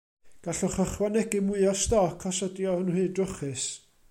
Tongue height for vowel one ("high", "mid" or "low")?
low